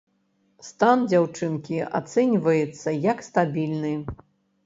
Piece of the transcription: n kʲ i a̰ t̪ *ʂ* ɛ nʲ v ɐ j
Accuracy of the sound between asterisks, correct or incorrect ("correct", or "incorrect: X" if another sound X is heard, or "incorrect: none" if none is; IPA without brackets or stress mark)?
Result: incorrect: s